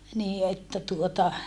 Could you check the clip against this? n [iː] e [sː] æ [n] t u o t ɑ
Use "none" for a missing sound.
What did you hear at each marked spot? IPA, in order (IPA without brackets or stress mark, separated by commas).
iː, tː, none